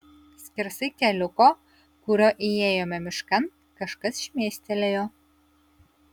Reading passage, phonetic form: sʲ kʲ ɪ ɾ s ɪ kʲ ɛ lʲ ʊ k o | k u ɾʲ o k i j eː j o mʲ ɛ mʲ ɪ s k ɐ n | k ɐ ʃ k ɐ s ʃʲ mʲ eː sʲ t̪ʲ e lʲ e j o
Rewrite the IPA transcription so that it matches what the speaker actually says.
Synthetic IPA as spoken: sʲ kʲ ɪ ɾ s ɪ kʲ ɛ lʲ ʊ k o | k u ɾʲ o ʔ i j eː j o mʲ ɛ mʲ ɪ ʃ k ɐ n | k ɐ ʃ k ɐ s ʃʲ mʲ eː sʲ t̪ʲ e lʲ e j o